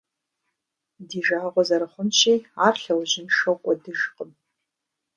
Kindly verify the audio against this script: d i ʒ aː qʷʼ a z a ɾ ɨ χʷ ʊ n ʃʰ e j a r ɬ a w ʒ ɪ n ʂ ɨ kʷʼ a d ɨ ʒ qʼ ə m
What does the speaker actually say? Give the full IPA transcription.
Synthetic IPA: d i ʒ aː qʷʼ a z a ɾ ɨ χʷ ʊ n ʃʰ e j a r ɬ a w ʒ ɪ n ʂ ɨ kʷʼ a d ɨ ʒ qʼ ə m